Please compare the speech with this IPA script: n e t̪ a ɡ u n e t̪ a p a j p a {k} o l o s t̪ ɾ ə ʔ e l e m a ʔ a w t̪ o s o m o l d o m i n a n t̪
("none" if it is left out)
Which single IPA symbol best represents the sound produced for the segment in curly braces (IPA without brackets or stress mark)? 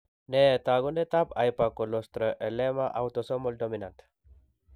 k